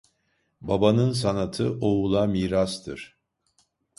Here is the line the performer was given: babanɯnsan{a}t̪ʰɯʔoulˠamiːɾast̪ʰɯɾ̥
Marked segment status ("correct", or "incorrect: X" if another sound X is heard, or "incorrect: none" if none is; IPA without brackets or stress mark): correct